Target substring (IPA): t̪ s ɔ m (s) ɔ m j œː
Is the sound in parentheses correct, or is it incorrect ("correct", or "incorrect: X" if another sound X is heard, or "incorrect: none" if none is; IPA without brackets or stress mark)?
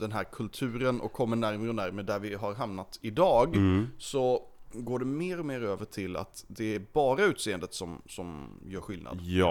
correct